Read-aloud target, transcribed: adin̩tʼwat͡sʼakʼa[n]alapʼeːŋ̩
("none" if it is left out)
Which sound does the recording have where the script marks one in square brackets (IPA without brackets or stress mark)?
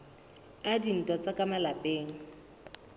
m